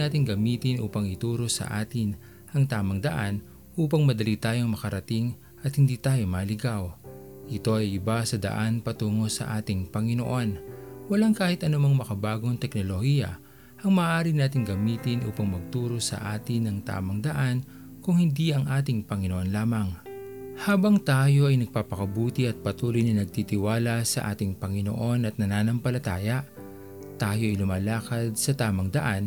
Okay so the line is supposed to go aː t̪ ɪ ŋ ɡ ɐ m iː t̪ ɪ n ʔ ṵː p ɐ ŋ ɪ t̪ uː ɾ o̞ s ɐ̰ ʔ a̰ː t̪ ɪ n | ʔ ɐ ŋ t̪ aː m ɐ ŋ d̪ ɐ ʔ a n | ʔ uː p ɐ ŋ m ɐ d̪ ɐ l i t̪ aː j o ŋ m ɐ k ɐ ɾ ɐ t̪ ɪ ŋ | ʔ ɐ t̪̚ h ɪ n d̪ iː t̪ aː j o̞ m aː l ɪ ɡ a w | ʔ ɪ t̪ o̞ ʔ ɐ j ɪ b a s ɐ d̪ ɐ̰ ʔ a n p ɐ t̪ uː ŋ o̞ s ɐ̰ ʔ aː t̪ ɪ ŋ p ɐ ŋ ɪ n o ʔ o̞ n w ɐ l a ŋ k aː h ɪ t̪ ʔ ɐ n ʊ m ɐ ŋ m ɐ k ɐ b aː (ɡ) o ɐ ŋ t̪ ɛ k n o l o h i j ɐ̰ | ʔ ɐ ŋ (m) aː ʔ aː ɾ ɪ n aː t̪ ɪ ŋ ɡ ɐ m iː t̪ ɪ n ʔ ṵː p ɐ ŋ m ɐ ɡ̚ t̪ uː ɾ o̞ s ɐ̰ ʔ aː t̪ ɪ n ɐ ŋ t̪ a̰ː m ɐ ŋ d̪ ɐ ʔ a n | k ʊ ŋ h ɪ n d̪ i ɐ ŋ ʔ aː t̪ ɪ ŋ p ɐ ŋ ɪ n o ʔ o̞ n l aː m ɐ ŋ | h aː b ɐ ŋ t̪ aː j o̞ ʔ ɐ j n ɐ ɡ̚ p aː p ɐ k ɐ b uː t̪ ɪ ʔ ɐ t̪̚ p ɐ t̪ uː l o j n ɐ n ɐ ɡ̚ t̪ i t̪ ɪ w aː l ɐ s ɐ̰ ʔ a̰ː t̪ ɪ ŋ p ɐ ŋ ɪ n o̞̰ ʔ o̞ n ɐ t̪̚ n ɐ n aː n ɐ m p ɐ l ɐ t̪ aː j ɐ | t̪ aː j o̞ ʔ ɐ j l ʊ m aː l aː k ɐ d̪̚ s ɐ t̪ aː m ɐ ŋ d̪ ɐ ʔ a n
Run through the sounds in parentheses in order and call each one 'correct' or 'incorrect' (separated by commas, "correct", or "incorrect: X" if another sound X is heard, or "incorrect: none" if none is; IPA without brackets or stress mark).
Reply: correct, correct